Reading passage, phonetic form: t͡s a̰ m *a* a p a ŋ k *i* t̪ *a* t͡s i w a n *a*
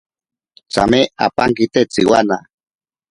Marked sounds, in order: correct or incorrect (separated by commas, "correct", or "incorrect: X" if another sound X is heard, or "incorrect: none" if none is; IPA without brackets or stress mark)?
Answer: incorrect: e, correct, incorrect: e, correct